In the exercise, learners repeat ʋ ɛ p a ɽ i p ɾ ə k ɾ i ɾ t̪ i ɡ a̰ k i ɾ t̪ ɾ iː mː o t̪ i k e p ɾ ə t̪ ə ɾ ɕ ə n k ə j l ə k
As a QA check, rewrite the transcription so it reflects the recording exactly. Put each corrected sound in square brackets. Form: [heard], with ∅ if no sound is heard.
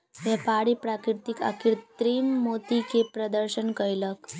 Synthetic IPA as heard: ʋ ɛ p a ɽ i p ɾ [a] k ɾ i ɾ t̪ i [k] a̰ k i ɾ t̪ ɾ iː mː o t̪ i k e p ɾ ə [d̪] ə ɾ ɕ ə n k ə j l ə k